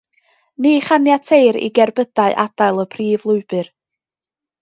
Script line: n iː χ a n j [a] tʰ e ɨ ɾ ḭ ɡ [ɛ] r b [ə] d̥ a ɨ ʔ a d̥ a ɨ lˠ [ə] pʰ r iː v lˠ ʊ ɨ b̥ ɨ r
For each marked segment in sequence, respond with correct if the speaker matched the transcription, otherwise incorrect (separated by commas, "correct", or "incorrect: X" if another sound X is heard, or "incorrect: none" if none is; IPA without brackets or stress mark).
correct, correct, correct, correct